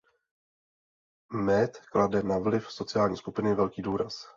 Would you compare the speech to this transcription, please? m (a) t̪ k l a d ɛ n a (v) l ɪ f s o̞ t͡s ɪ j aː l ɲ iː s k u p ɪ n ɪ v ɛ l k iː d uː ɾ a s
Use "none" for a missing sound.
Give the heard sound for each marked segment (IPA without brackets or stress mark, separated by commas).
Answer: ɛ, v